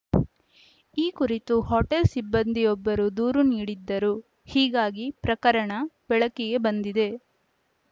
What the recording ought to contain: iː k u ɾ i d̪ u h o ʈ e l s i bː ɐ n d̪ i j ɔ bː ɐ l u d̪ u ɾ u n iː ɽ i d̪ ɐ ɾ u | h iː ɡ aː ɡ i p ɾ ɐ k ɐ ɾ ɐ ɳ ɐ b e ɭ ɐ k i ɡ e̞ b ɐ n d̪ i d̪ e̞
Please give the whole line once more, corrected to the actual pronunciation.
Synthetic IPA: iː k u ɾ i t̪ u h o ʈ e l s i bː ɐ n d̪ i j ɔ bː ɐ ɾ u d̪ uː ɾ u n iː ɽ i d̪ː ɐ ɾ u | h iː ɡ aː ɡ i p ɾ ɐ k ɐ ɾ ɐ ɳ ɐ b ɛ ɭ ɐ k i ɡ e̞ b ɐ n d̪ i d̪ e̞